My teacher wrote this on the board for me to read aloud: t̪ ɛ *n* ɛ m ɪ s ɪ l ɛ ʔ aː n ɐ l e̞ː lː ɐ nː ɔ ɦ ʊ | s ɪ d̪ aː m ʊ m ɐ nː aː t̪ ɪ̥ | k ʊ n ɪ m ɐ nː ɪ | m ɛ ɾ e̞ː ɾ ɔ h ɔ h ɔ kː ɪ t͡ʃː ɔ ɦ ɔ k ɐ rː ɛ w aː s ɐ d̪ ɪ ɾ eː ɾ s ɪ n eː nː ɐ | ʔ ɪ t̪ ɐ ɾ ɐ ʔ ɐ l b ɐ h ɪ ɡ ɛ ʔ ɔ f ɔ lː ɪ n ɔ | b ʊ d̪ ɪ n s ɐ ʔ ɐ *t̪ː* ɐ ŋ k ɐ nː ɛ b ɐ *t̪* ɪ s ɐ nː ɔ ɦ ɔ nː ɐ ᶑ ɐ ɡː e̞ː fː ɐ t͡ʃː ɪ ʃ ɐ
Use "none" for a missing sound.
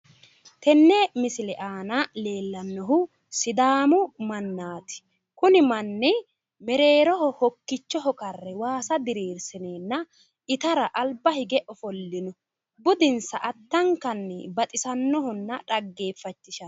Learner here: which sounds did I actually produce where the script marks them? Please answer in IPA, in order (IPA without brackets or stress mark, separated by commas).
nː, t̪ː, t̪ʼ